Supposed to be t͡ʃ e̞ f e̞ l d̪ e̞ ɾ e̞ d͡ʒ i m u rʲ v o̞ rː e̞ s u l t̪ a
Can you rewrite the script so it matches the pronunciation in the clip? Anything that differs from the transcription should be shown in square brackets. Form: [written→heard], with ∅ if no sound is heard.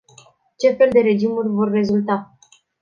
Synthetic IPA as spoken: t͡ʃ e̞ f e̞ l d̪ e̞ ɾ e̞ d͡ʒ i m u rʲ v o̞ rː e̞ [s→z] u l t̪ a